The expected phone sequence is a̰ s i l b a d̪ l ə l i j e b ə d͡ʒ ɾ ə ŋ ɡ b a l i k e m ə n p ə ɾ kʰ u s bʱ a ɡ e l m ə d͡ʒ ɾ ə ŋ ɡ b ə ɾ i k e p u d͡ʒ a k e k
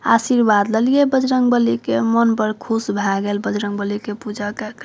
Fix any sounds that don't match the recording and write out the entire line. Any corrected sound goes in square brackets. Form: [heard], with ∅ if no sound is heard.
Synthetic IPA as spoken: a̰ s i [ɾ] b a d̪ l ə l i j e b ə d͡ʒ ɾ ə ŋ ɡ b [ə] l i k e m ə n p ə ɾ kʰ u s bʱ a ɡ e l [b] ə d͡ʒ ɾ ə ŋ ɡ b ə [l] i k e p u d͡ʒ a k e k